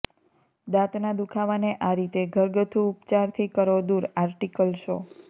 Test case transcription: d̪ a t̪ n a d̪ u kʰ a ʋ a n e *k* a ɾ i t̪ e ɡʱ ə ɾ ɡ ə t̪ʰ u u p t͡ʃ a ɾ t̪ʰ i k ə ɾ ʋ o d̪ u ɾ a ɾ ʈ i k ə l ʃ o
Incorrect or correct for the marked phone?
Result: incorrect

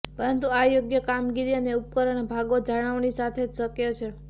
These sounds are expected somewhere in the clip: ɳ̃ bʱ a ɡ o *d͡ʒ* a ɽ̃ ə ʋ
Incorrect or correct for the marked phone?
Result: correct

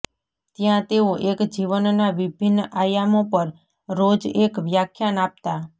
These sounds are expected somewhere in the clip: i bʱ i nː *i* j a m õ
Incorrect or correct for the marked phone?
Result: incorrect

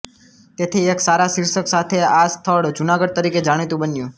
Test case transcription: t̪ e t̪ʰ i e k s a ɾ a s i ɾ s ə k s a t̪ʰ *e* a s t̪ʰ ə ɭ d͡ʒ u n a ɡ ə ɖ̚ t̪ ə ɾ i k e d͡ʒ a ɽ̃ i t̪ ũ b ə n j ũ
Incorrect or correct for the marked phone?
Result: correct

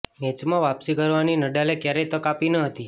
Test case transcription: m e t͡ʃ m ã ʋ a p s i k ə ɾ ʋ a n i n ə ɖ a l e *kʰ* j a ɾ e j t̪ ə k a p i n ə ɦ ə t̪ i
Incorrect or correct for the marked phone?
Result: incorrect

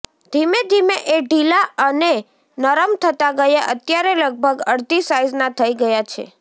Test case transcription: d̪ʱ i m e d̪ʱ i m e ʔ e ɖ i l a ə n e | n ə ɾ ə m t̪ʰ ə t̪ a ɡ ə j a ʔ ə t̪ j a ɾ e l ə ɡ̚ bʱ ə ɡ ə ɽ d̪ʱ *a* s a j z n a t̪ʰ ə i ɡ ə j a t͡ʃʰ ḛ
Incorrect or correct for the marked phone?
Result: incorrect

